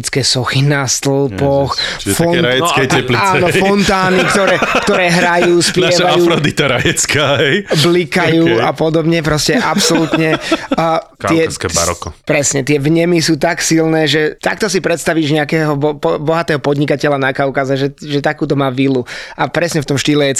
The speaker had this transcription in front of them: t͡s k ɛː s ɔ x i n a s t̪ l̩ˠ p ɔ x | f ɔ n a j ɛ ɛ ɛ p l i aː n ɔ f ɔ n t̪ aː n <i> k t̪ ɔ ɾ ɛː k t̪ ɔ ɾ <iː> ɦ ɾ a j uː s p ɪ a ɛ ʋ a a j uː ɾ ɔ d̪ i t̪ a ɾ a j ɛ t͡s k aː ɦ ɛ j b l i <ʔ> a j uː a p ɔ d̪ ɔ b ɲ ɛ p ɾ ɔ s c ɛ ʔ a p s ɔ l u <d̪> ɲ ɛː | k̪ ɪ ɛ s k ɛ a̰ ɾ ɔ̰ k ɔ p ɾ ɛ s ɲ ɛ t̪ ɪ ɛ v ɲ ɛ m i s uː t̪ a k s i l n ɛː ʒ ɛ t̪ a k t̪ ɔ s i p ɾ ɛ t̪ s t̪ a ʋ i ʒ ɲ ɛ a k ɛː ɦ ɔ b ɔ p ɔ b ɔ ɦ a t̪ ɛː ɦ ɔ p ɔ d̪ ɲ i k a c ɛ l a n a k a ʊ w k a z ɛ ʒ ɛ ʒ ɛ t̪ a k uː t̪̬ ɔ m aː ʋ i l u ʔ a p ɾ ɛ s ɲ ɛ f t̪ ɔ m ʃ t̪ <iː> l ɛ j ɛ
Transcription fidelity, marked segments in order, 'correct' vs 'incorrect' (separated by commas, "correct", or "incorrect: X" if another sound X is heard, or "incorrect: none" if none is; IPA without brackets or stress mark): correct, incorrect: ɛː, incorrect: k, incorrect: t̪, correct